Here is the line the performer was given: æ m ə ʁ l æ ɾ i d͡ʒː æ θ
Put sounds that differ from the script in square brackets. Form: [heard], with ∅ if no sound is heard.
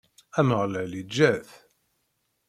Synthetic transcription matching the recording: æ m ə ʁ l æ [l] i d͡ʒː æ θ

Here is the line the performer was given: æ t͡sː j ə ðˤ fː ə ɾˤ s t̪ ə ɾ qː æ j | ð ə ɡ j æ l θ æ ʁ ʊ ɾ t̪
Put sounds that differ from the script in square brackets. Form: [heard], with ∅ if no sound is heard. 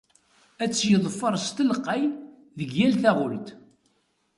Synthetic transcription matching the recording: æ t͡sː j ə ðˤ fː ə ɾˤ s t̪ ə [l] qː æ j | ð ə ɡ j æ l θ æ ʁ ʊ [l] t̪

